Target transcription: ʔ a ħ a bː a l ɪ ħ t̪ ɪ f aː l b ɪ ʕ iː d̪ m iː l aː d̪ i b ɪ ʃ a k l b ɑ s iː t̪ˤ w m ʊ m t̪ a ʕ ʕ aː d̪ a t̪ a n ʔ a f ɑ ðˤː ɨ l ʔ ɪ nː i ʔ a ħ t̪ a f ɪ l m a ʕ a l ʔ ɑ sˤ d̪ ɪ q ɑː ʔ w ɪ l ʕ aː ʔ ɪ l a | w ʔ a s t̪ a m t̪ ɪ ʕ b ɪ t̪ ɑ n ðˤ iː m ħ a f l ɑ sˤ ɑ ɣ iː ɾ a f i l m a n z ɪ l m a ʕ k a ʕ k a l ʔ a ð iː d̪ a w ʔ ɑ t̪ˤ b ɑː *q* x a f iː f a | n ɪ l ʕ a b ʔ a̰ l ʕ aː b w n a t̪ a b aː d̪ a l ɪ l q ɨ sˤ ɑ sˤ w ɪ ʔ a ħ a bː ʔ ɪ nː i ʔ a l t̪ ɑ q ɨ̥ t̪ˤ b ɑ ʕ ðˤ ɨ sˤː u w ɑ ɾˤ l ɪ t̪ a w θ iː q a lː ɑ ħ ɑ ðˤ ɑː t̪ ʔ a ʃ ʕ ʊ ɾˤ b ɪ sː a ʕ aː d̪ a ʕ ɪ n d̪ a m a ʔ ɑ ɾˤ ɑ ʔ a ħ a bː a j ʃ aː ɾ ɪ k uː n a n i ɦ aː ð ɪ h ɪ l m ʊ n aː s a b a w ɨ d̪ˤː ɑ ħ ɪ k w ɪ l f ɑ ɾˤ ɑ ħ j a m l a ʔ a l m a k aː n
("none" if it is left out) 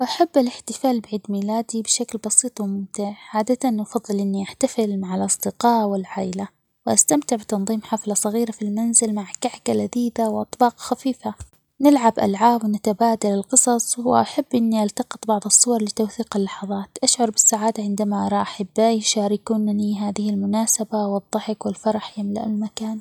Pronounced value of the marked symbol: q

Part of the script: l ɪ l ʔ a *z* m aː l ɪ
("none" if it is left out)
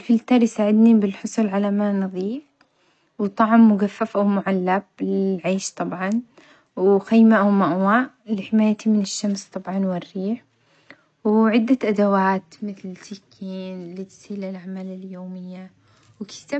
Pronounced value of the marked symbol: ʕ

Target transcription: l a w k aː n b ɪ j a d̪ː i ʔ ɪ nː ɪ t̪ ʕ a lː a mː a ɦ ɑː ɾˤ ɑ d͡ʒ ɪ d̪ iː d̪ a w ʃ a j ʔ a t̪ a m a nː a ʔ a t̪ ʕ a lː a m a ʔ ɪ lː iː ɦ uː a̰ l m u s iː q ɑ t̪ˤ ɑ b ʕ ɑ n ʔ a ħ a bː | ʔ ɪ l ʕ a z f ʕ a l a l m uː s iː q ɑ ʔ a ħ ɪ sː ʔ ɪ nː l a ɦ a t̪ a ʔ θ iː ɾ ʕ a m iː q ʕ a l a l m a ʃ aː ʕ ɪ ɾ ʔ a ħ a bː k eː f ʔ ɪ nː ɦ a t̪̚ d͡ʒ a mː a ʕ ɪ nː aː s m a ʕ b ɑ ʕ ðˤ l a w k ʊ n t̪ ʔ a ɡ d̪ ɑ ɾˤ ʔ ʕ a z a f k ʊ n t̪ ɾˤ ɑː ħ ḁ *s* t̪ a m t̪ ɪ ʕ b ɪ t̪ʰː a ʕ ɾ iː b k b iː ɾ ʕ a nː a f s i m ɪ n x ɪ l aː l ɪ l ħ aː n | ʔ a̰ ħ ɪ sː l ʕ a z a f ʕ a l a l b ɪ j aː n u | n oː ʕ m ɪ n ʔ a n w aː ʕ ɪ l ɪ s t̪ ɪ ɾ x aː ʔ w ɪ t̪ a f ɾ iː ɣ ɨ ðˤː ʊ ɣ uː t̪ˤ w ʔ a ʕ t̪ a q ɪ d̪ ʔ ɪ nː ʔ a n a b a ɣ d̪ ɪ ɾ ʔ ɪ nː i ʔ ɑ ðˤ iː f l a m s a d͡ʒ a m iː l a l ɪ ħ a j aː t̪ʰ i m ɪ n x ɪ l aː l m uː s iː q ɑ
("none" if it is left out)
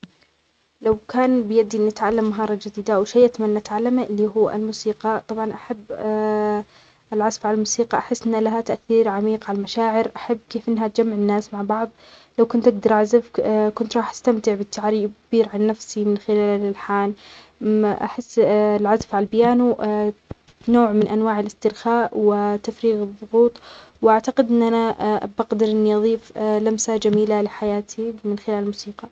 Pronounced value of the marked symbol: s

